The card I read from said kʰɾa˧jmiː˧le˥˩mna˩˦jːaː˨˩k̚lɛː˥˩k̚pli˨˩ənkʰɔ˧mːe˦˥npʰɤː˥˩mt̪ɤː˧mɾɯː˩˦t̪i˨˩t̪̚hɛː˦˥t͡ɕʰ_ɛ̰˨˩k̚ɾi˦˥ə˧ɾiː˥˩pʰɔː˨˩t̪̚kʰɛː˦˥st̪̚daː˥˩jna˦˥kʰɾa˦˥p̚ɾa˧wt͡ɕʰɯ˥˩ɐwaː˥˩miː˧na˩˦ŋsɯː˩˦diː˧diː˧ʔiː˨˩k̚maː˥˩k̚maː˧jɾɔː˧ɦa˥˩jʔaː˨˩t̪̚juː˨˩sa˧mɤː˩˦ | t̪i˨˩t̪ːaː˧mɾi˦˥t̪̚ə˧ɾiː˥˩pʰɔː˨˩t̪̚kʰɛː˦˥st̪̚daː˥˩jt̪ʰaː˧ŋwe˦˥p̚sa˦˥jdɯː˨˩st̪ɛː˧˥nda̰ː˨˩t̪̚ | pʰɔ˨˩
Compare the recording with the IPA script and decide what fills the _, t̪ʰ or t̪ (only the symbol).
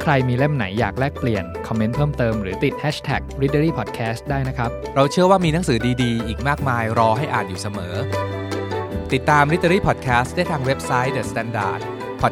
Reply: t̪ʰ